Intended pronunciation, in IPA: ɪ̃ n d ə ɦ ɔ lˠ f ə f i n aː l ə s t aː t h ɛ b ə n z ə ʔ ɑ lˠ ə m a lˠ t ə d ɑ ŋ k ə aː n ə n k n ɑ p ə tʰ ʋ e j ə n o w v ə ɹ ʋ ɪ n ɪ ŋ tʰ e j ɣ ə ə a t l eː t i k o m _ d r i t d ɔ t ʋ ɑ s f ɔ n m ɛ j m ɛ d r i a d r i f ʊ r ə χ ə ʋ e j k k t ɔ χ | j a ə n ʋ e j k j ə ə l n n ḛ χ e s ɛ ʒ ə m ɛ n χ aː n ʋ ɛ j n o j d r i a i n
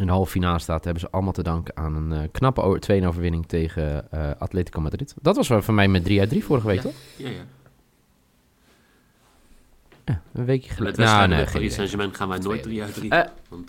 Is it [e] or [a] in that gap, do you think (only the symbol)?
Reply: a